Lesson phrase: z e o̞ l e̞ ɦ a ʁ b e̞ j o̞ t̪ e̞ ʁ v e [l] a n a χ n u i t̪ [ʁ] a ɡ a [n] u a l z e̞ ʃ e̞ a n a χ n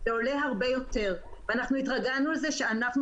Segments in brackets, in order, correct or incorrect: incorrect: none, correct, correct

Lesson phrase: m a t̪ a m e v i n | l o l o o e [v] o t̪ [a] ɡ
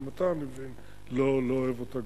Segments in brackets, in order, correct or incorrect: correct, correct

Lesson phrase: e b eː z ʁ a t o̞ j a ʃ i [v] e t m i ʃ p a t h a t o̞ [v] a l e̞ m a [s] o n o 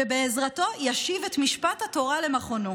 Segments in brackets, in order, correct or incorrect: correct, incorrect: ʁ, incorrect: χ

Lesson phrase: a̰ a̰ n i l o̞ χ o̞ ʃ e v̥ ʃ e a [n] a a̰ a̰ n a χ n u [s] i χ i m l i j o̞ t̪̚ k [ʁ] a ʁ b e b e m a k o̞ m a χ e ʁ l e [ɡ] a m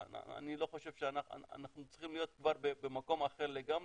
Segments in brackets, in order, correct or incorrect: correct, incorrect: t͡s, incorrect: v, correct

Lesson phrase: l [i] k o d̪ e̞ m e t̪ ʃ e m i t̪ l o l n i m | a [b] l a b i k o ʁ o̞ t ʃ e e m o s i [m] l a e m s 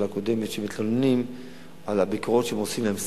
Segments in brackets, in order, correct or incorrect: incorrect: a, incorrect: none, correct

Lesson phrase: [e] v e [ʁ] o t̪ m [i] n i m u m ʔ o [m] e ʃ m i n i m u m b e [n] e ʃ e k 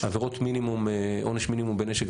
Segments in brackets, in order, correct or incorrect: incorrect: a, correct, correct, incorrect: n, correct

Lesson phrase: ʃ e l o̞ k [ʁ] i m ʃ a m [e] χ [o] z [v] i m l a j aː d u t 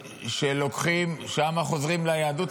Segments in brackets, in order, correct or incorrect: incorrect: χ, incorrect: a, correct, incorrect: ʁ

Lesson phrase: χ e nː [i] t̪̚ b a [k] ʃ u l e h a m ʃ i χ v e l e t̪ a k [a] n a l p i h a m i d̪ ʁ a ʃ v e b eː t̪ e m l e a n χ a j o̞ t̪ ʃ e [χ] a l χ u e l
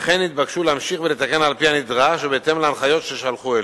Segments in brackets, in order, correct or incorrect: correct, correct, incorrect: e, incorrect: ʃ

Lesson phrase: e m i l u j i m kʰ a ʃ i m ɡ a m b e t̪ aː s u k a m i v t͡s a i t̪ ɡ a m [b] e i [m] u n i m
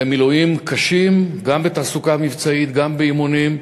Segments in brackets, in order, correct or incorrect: correct, correct

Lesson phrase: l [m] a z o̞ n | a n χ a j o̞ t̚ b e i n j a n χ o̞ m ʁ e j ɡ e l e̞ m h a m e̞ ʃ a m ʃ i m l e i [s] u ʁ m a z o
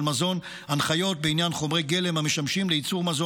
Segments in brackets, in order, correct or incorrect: correct, incorrect: t͡s

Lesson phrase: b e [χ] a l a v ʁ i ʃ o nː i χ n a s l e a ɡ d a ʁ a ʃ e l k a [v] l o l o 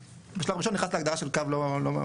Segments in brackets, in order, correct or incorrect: incorrect: ʃ, correct

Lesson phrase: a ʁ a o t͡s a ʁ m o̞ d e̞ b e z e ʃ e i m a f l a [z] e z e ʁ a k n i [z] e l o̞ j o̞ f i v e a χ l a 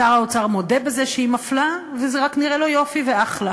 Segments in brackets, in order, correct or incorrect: incorrect: v, incorrect: ʁ

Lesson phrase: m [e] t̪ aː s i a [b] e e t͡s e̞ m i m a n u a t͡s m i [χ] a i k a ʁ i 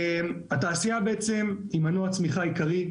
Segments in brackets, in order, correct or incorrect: incorrect: a, correct, correct

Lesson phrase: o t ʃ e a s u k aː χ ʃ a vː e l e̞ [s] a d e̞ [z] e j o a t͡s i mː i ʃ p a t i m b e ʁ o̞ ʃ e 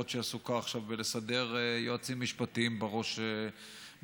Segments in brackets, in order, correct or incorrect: correct, incorrect: ʁ

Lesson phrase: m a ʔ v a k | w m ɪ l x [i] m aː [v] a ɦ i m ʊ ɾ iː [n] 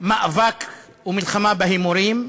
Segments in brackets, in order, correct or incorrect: incorrect: a, incorrect: b, incorrect: m

